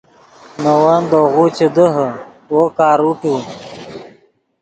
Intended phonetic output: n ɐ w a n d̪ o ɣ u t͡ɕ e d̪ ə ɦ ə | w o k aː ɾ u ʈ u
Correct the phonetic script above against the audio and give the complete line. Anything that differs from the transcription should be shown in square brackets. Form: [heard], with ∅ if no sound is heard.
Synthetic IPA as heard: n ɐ w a n d̪ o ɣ u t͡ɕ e d̪ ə ɦ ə | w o k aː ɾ u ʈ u

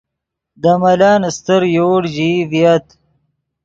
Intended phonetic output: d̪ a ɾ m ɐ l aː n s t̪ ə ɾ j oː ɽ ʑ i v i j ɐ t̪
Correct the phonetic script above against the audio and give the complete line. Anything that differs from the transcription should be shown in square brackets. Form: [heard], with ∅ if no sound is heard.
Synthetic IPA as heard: d̪ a [∅] m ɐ l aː n s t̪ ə ɾ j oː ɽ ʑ i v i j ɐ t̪

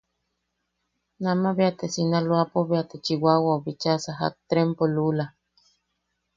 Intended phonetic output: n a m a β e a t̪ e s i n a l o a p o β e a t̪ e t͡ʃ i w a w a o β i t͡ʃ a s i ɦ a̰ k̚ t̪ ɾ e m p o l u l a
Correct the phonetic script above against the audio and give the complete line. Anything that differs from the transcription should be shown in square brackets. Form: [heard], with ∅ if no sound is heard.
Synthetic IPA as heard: n a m a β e a t̪ e s i n a l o a p o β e a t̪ e t͡ʃ i w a w a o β i t͡ʃ a s [a] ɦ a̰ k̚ t̪ ɾ e m p o l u l a

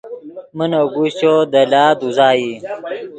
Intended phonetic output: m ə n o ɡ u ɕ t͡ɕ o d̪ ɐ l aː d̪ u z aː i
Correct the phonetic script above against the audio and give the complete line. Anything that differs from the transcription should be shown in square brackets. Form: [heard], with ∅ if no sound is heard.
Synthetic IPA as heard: m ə n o ɡ u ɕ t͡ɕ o d̪ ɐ l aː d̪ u z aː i

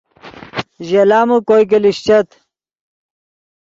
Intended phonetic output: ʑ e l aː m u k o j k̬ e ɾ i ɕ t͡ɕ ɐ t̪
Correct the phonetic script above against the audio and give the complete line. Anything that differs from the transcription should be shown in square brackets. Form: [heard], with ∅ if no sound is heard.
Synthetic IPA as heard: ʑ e l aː m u k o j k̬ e [l] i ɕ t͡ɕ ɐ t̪

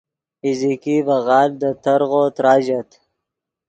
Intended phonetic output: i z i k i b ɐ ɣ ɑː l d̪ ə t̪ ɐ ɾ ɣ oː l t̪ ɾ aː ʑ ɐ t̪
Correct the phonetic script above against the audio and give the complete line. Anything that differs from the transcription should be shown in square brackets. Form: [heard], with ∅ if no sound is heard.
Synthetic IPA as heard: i z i k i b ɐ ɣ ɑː l d̪ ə t̪ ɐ ɾ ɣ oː [∅] t̪ ɾ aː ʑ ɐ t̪

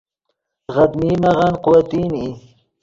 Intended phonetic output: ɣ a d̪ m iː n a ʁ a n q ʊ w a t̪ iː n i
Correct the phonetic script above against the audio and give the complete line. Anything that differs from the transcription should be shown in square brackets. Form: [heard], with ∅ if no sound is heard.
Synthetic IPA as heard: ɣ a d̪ m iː [m] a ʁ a n q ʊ w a t̪ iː n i

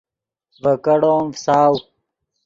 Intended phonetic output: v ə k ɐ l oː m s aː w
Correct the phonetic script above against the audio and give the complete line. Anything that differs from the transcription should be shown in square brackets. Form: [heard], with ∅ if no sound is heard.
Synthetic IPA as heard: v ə k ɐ [ɽ] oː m s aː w

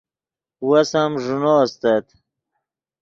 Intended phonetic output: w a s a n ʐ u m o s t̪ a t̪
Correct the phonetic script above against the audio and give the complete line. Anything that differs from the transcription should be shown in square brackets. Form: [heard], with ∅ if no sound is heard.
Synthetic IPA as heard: w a s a [m] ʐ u [n] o s t̪ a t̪

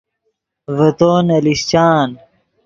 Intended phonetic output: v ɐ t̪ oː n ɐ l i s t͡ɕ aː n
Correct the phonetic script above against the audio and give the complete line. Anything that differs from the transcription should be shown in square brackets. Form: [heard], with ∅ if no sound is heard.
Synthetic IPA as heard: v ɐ t̪ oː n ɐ l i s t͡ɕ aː n

